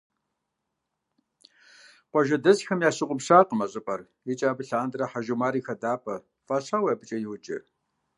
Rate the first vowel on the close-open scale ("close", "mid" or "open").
mid